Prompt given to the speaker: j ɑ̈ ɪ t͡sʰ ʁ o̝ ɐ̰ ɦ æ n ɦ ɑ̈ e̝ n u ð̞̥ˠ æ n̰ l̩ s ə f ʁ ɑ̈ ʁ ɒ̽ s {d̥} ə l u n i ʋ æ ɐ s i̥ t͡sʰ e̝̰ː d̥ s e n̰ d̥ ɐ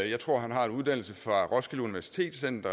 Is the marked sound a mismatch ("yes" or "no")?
yes